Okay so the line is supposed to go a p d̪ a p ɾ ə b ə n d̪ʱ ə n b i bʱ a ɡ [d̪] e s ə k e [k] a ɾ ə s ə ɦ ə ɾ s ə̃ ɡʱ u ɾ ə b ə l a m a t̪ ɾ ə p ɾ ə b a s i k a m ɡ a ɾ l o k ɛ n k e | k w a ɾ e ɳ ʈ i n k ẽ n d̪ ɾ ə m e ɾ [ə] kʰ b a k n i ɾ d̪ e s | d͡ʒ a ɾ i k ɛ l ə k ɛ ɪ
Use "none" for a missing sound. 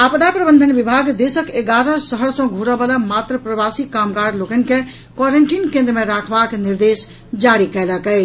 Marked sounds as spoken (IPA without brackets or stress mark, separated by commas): d̪, ɡ, a